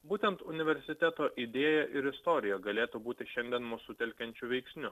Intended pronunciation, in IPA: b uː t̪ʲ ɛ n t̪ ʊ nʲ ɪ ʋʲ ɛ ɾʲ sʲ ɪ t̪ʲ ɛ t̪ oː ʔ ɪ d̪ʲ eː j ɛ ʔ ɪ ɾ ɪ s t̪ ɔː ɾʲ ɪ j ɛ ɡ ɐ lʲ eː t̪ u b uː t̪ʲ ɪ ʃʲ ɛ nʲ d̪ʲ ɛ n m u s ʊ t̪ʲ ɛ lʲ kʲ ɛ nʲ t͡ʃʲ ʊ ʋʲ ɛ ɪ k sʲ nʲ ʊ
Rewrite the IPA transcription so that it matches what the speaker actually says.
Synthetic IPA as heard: b uː t̪ʲ ɛ n t̪ ʊ nʲ ɪ ʋʲ ɛ ɾʲ sʲ ɪ t̪ʲ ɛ t̪ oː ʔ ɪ d̪ʲ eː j ɛ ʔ ɪ ɾ ɪ s t̪ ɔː ɾʲ ɪ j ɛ ɡ ɐ lʲ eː t̪ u b uː t̪ʲ ɪ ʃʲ ɛ nʲ d̪ʲ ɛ n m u s ʊ t̪ʲ ɛ lʲ kʲ ɛ nʲ t͡ʃʲ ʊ ʋʲ ɛ ɪ k sʲ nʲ ʊ